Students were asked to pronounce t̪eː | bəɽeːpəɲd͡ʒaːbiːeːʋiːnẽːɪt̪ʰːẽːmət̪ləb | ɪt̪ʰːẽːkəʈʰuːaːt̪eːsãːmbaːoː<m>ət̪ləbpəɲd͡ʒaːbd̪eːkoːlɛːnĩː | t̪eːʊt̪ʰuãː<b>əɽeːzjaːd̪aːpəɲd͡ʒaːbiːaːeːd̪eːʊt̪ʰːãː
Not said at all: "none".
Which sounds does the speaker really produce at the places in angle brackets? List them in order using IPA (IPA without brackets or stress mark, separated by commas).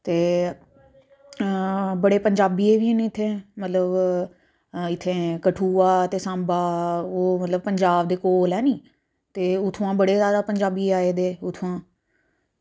m, b